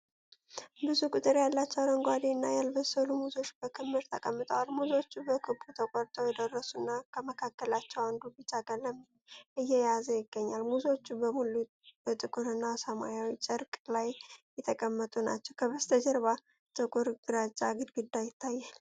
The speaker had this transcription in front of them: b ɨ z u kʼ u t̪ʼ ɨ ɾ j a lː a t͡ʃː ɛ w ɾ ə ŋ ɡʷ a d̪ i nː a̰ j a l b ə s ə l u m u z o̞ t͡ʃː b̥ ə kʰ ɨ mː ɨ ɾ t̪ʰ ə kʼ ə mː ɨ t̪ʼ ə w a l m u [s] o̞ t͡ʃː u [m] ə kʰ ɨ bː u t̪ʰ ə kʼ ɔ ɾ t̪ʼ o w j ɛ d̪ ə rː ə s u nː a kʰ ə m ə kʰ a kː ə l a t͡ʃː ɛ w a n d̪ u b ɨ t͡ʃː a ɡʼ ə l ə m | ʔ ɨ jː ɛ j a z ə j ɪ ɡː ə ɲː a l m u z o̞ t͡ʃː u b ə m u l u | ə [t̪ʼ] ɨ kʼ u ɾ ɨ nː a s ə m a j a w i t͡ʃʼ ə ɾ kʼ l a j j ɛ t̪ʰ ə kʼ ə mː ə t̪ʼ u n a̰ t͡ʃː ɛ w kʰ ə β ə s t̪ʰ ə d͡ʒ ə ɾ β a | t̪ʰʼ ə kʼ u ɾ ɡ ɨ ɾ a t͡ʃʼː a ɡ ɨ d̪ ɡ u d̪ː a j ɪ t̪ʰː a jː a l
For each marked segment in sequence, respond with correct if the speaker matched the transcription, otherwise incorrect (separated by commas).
incorrect, incorrect, correct